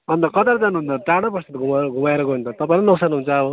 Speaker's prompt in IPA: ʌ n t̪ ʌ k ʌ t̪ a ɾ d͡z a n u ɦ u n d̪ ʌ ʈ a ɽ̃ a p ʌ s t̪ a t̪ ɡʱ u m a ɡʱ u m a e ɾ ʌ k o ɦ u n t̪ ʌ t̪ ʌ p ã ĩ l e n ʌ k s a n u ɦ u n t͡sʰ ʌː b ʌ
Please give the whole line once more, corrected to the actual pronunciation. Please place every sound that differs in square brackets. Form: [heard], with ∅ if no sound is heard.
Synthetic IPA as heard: ʌ n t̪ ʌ k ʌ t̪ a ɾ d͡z a n u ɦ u n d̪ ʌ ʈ a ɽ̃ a p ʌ s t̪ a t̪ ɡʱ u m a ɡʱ u m a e ɾ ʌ k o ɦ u n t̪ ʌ t̪ ʌ p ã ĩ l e n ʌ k s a n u ɦ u n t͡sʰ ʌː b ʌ